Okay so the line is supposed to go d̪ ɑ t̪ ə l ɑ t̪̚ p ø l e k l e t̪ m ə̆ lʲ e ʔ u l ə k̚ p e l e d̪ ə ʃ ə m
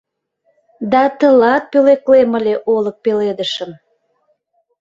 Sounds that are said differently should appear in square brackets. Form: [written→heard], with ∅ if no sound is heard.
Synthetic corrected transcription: d̪ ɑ t̪ ə l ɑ t̪̚ p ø l e k l e [t̪→∅] m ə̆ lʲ e ʔ [u→o] l ə k̚ p e l e d̪ ə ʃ ə m

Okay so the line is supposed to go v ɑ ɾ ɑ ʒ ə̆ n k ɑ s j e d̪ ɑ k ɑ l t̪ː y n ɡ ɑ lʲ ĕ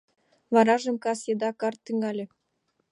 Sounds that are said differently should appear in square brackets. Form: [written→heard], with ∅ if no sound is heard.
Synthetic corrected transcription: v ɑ ɾ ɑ ʒ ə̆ [n→m] k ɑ s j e d̪ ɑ k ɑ [l→r] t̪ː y [n→ŋ] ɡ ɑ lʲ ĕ

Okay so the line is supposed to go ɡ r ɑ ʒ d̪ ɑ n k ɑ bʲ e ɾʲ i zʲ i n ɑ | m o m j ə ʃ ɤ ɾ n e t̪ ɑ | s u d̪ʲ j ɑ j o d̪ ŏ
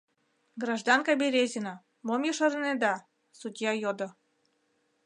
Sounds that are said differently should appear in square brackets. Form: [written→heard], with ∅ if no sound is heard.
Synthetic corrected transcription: ɡ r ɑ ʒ d̪ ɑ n k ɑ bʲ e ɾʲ [i→e] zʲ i n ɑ | m o m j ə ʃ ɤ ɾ n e [t̪→d̪] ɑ | s u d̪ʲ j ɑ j o d̪ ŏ

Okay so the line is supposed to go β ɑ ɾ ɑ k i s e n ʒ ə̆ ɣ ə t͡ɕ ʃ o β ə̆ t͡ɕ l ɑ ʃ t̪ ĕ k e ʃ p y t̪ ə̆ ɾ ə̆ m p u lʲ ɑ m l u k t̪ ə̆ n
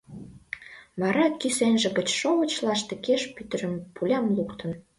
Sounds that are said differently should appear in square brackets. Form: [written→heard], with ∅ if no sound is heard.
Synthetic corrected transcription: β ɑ ɾ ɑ k i s e n ʒ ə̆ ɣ ə t͡ɕ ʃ o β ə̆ t͡ɕ l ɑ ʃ t̪ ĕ k e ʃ p y t̪ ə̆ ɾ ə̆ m p u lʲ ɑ m l u k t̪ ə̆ n

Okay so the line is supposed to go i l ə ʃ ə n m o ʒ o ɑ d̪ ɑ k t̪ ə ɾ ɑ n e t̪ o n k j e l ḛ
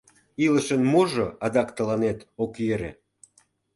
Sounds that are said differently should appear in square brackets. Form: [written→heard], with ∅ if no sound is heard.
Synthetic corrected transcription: i l ə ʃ ə n m o ʒ o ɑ d̪ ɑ k t̪ ə [ɾ→l] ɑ n e t̪ o [n→∅] k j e [l→ɾ] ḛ

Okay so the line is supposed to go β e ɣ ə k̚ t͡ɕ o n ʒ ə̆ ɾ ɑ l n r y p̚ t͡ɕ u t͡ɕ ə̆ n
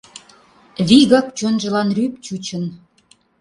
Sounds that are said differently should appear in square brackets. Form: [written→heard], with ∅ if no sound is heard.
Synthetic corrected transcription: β [e→i] ɣ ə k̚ t͡ɕ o n ʒ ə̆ [ɾ→l] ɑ [l→∅] n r y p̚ t͡ɕ u t͡ɕ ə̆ n

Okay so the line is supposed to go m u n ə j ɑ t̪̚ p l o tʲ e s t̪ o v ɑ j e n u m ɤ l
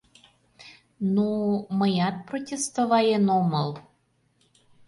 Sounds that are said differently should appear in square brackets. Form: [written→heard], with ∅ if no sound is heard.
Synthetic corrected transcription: [m→n] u [n→m] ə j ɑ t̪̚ p [l→r] o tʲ e s t̪ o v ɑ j e n [u→o] m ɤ l

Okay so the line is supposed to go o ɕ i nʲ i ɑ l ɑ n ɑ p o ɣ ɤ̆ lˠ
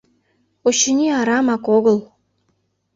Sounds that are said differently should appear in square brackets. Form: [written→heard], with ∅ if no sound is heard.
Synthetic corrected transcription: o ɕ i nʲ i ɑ [l→ɾ] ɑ [n→m] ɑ [p→k] o ɣ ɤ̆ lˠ

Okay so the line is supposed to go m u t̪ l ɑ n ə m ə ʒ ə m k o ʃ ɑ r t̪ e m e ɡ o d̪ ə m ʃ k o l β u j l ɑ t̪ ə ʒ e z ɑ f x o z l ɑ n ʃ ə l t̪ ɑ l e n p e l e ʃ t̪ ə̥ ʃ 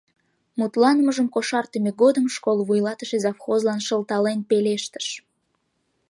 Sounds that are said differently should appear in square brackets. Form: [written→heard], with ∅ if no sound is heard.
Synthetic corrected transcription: m u t̪ l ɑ n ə m ə ʒ ə m k o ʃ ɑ r t̪ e m e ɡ o d̪ ə m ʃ k o l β u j l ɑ t̪ ə [ʒ→ʃ] e z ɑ f x o z l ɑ n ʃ ə l t̪ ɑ l e n p e l e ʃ t̪ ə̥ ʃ

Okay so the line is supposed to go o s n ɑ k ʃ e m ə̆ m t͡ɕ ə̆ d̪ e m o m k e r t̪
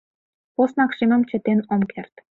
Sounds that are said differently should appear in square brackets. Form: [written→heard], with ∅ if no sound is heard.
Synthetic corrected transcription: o s n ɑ k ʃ [e→i] m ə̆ m t͡ɕ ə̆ [d̪→t̪] e [m→n] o m k e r t̪

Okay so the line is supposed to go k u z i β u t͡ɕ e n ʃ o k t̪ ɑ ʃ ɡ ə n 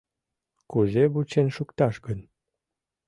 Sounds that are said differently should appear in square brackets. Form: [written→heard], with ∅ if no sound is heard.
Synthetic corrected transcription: k u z [i→e] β u t͡ɕ e n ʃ [o→u] k t̪ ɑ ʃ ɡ ə n

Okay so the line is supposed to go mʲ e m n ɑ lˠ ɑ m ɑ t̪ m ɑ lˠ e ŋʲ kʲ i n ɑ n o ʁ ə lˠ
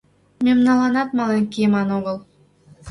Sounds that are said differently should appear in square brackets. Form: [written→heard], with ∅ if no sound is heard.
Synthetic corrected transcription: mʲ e m n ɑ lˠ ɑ [m→n] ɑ t̪ m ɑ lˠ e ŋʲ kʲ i [n→m] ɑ n o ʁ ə lˠ

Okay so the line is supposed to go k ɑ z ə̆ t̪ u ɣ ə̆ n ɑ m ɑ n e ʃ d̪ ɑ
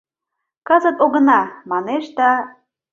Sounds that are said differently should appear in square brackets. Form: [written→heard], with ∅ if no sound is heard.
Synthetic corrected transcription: k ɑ z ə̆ t̪ [u→o] ɣ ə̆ n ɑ m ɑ n e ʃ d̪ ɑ

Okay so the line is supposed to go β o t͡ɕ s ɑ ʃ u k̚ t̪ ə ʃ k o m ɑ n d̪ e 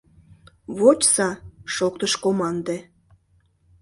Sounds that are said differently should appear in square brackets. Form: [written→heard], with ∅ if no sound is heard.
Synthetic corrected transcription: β o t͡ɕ s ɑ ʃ [u→o] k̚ t̪ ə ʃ k o m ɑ n d̪ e

